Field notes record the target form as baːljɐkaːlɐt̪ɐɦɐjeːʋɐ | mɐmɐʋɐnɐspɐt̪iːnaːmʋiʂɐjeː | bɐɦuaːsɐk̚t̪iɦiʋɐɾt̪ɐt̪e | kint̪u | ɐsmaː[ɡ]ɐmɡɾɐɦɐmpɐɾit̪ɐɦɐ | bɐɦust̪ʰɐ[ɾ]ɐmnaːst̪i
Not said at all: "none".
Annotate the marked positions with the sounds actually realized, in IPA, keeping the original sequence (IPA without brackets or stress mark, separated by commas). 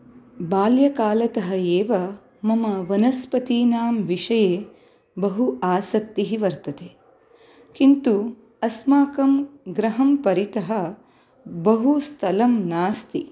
k, l